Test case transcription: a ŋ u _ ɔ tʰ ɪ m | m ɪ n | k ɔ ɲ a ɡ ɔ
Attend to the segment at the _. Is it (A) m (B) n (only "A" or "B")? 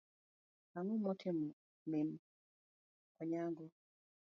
A